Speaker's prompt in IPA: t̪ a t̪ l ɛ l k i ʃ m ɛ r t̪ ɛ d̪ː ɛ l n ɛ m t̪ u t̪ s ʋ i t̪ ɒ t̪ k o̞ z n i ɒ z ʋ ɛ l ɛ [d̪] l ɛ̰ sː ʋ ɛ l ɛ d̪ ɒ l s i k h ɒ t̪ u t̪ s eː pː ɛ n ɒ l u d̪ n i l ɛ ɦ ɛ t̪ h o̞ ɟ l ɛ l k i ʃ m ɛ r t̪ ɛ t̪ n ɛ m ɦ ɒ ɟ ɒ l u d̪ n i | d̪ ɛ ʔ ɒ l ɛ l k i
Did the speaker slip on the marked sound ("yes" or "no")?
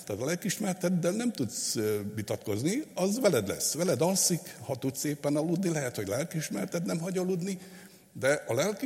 no